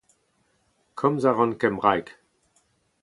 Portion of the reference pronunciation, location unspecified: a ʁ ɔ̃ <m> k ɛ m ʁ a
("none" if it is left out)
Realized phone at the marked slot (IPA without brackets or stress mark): n